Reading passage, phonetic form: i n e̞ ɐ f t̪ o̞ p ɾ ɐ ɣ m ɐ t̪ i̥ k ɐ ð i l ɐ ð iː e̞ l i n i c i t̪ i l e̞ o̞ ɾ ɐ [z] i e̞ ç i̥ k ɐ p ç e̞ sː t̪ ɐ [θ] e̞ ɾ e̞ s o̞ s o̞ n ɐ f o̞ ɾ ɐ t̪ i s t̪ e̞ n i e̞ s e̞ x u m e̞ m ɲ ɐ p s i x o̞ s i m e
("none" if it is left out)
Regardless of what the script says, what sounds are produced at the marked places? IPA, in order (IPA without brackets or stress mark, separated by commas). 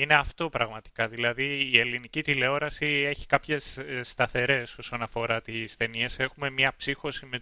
s, θ